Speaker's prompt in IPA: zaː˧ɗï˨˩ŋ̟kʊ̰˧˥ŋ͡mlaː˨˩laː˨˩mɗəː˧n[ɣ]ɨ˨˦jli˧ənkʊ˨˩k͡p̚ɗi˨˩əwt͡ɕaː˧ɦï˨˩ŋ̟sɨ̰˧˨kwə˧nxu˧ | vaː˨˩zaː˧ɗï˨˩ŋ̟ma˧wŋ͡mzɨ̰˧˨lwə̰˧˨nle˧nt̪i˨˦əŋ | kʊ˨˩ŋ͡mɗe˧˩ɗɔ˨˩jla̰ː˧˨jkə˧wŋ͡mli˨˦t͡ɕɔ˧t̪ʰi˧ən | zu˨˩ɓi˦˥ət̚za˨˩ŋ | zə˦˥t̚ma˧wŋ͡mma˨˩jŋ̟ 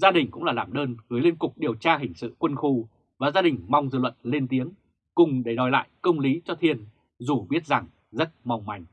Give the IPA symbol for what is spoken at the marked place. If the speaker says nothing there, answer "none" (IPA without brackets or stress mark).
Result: ɣ